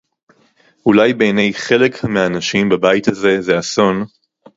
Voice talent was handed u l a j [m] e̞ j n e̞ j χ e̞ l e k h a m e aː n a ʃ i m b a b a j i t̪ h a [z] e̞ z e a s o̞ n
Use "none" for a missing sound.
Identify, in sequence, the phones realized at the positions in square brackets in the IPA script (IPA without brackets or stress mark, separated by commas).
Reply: b, z